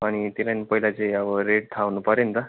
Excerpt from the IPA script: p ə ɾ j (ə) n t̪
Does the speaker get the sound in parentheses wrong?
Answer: no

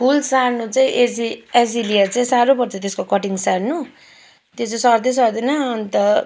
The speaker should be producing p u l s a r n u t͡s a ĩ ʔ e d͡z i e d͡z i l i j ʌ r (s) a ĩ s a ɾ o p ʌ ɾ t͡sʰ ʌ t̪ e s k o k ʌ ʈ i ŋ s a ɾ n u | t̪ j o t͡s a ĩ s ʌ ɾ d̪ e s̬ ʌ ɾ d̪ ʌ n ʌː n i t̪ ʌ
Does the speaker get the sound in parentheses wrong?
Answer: yes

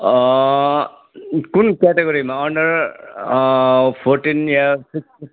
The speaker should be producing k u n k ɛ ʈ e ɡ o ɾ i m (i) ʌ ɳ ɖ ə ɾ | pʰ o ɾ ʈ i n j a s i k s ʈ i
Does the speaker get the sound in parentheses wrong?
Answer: yes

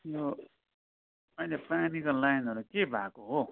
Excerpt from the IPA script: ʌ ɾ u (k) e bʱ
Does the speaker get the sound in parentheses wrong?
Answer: no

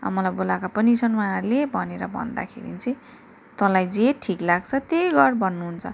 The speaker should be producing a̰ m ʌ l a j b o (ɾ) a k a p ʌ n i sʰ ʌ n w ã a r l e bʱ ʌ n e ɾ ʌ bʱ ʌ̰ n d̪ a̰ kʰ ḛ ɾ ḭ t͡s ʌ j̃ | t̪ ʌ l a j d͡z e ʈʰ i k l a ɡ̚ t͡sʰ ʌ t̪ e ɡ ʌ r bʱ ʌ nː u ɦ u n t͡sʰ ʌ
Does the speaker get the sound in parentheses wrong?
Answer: yes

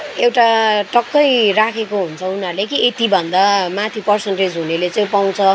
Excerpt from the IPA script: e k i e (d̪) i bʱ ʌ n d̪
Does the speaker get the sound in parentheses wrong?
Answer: yes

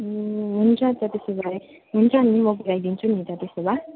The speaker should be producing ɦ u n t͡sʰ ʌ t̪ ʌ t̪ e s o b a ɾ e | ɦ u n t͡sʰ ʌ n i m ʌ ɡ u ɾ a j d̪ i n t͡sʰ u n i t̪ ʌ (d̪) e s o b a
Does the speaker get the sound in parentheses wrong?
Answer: yes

